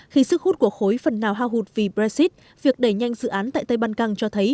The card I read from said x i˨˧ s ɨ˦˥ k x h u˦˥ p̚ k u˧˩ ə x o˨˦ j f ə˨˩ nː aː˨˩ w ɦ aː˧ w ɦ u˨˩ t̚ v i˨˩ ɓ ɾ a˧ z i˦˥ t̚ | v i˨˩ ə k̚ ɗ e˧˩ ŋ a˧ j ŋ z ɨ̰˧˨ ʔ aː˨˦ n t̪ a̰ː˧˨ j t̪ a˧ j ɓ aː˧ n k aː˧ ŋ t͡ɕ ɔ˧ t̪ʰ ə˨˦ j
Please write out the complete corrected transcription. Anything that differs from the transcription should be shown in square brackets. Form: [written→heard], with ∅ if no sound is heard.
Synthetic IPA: x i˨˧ s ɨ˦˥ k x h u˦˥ [p̚→t̚] k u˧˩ ə x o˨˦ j f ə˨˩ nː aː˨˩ w ɦ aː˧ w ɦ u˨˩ t̚ v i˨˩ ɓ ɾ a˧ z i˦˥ t̚ | v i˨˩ ə k̚ ɗ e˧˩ [ŋ→ɲ] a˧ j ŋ z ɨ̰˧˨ ʔ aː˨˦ n t̪ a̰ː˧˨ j t̪ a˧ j ɓ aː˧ n k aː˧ ŋ t͡ɕ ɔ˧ t̪ʰ ə˨˦ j